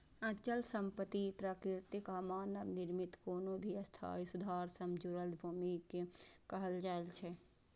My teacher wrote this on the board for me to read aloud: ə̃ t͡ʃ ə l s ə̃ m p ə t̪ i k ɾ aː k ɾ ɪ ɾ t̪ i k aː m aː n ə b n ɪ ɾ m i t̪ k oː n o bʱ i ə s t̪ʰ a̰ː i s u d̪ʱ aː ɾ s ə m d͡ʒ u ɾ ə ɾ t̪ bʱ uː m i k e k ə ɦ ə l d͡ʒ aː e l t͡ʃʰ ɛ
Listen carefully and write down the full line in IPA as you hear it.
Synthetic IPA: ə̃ t͡ʃ ə l s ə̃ m p ə t̪ i p ɾ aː k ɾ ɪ ɾ t̪ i k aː m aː n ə b n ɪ ɾ m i t̪ k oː n o bʱ i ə s t̪ʰ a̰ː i s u d̪ʱ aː ɾ s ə m d͡ʒ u ɾ ə l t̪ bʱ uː m i k e k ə ɦ ə l d͡ʒ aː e l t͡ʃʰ ɛ